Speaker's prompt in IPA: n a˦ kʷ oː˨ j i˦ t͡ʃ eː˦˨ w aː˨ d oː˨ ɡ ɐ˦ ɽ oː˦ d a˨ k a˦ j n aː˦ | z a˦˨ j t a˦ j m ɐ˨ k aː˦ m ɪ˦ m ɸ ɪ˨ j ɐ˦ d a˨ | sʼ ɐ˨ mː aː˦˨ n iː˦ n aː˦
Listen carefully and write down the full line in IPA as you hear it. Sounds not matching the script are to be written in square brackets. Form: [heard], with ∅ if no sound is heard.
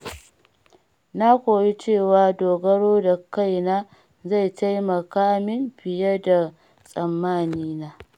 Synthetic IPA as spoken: n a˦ kʷ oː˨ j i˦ t͡ʃ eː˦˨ w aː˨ d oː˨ ɡ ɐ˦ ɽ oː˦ d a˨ k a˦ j n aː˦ | z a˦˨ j t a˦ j m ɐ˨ k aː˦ m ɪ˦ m ɸ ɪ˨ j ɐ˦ d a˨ | sʼ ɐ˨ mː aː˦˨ n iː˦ n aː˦

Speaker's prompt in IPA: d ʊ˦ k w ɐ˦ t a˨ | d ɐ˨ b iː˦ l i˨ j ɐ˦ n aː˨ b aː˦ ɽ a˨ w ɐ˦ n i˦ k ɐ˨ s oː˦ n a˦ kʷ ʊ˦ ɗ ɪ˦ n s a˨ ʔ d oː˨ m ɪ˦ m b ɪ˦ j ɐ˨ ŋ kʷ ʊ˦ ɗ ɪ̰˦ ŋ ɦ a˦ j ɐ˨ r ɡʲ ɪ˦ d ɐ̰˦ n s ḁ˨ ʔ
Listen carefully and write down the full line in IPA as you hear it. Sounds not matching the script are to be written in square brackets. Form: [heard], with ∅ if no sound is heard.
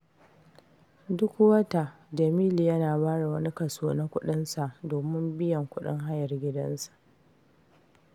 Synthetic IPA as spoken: d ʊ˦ k w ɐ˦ t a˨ | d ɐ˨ [m] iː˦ l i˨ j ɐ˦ n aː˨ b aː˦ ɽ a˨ w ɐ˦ n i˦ k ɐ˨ s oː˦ n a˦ kʷ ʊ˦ ɗ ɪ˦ n s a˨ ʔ d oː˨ m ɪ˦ m b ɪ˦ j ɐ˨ ŋ kʷ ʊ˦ ɗ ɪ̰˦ ŋ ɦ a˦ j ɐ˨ r ɡʲ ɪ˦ d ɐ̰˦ n s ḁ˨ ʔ

